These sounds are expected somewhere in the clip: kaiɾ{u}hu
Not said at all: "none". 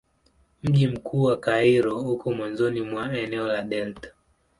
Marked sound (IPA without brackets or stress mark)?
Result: ɔ